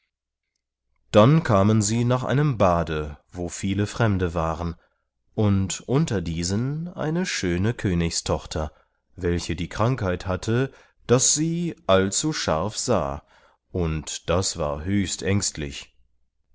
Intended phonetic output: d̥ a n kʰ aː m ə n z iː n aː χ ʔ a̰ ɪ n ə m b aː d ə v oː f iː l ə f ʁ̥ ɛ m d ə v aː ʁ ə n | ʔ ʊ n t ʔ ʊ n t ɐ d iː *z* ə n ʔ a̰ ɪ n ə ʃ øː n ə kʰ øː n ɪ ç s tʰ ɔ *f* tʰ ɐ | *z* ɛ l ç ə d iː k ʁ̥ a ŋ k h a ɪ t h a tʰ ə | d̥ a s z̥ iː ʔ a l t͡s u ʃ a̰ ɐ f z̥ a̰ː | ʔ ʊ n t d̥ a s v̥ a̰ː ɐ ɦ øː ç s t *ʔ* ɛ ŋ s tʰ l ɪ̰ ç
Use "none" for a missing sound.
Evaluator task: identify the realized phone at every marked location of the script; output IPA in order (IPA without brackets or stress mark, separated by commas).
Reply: z, χ, v, ʔ